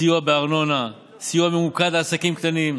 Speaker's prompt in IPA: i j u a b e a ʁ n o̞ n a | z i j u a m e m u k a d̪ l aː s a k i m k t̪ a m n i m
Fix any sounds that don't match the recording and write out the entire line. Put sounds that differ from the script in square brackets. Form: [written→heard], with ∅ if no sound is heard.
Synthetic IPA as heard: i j u a b e a ʁ n o̞ n a | [z→s] i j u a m e m u k a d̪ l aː s a k i m k t̪ a [m→∅] n i m